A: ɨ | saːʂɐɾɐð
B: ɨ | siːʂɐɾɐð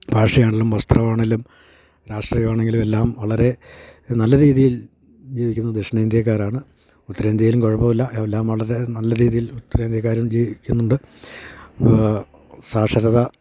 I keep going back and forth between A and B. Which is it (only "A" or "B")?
A